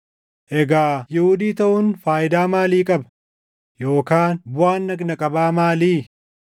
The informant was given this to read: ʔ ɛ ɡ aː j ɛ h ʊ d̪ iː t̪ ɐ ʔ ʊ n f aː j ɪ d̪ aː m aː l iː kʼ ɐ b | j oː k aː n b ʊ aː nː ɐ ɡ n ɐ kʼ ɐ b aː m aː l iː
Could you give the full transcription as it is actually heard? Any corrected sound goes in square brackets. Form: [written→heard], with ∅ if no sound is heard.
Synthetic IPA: ʔ ɛ ɡ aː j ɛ h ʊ d̪ iː t̪ ɐ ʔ ʊ n f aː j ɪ d̪ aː m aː l iː kʼ ɐ b | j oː k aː n b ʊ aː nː ɐ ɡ n ɐ kʼ ɐ b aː m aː l iː